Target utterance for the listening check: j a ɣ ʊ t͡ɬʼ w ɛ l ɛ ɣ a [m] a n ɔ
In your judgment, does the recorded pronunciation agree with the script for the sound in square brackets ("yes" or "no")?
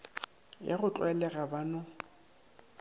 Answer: no